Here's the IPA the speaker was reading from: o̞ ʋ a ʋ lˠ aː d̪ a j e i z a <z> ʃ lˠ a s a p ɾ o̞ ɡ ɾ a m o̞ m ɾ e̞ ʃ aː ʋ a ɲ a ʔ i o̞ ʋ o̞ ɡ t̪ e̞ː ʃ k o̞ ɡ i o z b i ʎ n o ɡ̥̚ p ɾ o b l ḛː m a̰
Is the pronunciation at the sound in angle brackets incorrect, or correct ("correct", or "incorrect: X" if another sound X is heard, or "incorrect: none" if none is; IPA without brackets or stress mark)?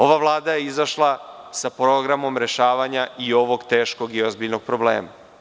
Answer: incorrect: none